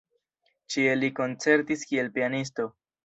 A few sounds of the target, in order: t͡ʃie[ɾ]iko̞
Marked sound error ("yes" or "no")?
yes